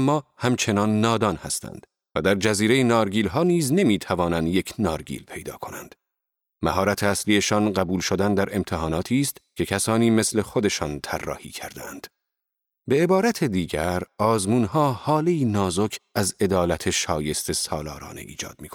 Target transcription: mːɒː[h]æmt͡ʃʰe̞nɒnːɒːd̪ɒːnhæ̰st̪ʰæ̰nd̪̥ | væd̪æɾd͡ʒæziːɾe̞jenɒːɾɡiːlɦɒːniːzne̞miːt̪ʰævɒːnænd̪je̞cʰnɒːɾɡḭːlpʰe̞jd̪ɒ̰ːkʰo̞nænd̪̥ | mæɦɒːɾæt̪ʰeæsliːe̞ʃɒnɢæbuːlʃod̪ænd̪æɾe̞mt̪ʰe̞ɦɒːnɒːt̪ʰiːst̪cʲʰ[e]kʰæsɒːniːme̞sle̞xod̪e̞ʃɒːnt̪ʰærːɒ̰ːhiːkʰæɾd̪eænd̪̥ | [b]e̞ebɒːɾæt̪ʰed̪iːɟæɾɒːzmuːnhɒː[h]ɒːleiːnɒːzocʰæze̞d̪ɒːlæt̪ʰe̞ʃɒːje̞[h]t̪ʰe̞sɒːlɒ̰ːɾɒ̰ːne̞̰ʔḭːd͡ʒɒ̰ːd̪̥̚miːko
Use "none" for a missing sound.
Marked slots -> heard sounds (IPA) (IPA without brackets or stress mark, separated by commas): h, e, b, h, s